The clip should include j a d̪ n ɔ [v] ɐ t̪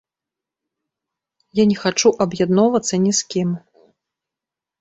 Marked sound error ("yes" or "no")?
no